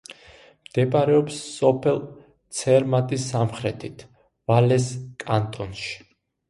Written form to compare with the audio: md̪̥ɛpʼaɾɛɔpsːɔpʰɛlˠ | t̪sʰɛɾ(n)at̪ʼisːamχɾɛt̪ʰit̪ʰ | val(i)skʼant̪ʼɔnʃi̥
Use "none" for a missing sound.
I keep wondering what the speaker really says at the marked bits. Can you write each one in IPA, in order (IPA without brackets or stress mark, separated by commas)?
m, ɛ